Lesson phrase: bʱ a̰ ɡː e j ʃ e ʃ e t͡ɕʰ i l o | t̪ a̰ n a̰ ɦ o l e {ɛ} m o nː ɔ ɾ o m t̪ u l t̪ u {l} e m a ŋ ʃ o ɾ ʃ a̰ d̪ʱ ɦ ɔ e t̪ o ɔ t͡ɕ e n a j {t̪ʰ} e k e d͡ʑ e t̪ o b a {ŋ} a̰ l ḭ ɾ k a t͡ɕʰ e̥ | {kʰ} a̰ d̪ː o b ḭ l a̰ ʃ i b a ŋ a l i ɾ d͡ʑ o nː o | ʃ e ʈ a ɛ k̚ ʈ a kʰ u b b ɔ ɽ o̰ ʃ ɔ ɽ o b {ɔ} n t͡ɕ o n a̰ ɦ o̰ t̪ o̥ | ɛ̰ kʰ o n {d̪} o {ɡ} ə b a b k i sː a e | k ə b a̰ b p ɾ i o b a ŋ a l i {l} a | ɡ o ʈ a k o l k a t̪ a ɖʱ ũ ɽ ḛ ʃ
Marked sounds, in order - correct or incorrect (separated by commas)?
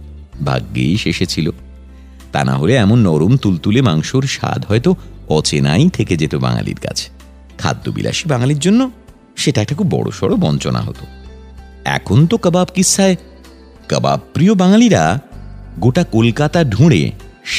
correct, correct, correct, correct, correct, correct, incorrect, incorrect, incorrect